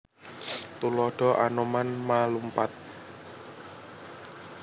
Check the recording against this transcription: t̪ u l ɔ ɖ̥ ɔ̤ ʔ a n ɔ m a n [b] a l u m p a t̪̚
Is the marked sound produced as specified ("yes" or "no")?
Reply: no